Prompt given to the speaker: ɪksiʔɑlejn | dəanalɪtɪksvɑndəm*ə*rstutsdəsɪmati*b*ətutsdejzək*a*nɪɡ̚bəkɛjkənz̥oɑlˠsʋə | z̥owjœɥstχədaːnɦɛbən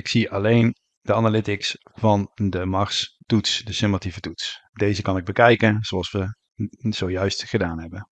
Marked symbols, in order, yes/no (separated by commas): no, no, no